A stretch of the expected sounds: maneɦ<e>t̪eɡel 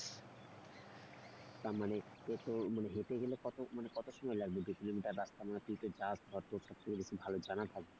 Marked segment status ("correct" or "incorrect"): correct